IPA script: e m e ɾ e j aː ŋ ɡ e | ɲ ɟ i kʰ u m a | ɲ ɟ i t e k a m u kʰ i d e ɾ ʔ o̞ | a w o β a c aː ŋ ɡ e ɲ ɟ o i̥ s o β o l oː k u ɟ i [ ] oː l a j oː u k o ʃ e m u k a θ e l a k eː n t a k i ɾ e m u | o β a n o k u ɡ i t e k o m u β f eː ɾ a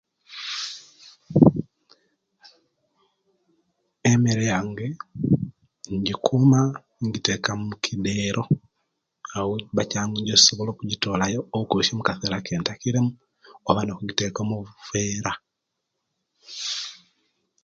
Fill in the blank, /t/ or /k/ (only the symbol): t